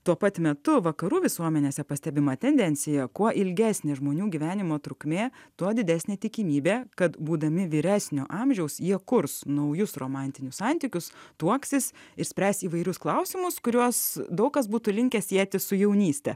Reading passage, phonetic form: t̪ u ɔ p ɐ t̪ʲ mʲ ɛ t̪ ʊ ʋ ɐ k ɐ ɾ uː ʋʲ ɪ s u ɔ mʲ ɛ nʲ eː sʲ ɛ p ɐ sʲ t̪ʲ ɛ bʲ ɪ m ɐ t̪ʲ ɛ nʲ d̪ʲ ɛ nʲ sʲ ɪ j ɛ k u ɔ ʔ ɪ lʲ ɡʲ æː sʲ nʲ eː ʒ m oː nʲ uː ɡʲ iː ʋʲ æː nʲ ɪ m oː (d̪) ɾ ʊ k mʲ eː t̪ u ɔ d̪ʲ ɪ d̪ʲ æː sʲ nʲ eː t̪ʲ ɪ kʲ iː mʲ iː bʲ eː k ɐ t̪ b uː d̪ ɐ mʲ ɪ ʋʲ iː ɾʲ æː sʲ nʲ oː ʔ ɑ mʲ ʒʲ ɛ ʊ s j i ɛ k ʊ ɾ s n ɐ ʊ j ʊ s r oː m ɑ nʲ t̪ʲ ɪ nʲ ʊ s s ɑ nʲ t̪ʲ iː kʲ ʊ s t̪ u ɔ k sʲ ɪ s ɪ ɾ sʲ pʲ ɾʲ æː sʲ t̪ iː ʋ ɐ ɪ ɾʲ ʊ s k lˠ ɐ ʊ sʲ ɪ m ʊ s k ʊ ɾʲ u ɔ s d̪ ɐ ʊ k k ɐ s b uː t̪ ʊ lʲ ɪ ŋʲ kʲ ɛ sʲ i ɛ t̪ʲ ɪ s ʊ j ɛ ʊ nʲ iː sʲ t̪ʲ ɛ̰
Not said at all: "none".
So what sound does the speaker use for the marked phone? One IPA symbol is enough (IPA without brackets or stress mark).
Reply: t̪